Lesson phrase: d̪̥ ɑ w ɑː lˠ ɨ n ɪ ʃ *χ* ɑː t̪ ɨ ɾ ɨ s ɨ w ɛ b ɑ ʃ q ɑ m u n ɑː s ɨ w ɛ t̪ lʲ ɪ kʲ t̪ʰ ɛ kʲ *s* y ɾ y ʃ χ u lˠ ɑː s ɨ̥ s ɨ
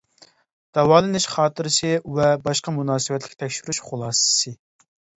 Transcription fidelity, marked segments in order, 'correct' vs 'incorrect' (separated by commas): correct, incorrect